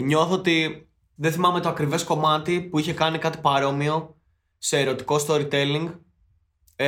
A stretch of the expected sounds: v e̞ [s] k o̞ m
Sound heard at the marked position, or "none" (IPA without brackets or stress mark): s